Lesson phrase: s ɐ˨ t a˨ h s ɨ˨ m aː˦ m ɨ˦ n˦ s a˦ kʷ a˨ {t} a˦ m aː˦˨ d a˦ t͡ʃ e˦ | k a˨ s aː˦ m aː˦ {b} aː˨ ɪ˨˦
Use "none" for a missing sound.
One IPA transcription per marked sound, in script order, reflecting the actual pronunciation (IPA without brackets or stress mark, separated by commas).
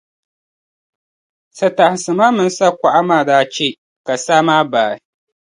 ʔ, b